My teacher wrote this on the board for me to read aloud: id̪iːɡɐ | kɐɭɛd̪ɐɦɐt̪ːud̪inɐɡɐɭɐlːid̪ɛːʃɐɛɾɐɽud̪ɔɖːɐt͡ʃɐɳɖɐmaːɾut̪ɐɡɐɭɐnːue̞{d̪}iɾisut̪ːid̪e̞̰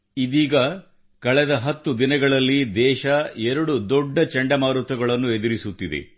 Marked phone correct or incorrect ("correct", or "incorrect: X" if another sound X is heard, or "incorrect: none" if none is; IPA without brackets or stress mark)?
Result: correct